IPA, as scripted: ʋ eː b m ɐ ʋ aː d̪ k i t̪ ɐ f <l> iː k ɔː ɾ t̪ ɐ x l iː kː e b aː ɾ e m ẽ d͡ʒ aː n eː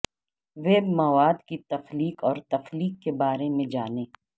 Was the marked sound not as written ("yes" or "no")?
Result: no